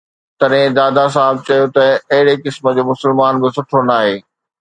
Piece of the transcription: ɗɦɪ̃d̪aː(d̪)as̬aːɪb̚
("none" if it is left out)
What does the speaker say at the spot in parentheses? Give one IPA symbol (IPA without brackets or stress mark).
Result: d̪